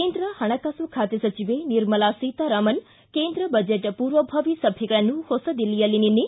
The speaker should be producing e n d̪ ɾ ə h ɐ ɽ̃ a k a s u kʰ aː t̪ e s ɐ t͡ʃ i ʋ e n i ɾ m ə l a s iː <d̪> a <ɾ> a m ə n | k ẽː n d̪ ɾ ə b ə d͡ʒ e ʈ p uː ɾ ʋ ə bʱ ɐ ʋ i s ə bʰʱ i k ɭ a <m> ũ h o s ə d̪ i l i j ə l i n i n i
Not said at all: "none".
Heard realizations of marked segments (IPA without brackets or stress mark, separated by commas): t̪, ɾ, n